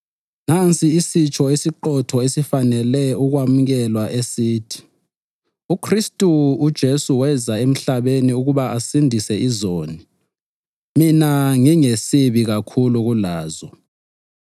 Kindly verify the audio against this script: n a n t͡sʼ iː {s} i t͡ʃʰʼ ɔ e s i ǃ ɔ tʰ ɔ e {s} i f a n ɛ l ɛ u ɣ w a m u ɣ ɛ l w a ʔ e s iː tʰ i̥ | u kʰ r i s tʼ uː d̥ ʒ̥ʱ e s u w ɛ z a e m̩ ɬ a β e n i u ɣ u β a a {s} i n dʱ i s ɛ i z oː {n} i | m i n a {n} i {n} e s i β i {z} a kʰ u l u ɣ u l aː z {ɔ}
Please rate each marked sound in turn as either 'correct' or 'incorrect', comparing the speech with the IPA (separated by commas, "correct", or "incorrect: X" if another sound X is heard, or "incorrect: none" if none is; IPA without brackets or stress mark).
correct, correct, correct, correct, incorrect: ŋ, incorrect: ŋ, incorrect: ɣ, correct